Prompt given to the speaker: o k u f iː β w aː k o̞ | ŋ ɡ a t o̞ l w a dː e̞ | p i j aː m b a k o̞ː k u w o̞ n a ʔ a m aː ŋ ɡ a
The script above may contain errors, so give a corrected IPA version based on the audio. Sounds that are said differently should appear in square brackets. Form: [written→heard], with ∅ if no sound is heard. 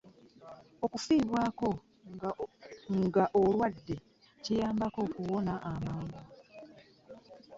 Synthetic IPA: o k u f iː β w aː k o̞ | ŋ ɡ a [t→ʔ] o̞ l w a dː e̞ | [p→c] i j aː m b a k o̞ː k u w o̞ n a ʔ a m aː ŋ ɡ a